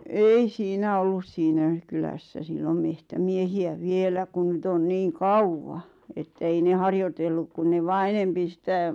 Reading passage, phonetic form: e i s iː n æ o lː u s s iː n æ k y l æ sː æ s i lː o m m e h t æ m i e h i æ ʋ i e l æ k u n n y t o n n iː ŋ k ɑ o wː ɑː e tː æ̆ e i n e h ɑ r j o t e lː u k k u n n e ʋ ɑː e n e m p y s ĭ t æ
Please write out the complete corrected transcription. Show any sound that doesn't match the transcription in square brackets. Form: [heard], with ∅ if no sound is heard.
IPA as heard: e i s iː n æ o lː u s s iː n æ k y l æ sː æ s i lː o m m e h t æ m i e h i æ ʋ i e l æ k u n n y t o n n iː ŋ k ɑ [u] wː [ɑ] e tː æ̆ e i n e h ɑ r j o t e lː u k k u n n e ʋ ɑː e n e m p [i] s ĭ t æ